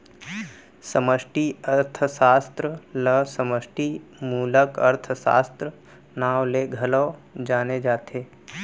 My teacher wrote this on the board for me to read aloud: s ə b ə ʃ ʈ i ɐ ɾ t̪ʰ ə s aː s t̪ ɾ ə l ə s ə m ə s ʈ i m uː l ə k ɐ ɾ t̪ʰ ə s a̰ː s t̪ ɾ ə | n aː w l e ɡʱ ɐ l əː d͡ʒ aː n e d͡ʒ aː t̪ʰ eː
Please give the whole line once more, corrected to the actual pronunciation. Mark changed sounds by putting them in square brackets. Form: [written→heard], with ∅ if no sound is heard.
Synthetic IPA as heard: s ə [b→m] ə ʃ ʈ i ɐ ɾ t̪ʰ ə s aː s t̪ ɾ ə l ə s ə m ə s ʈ i m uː l ə k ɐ ɾ t̪ʰ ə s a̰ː s t̪ ɾ ə | n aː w l e ɡʱ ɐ l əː d͡ʒ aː n e d͡ʒ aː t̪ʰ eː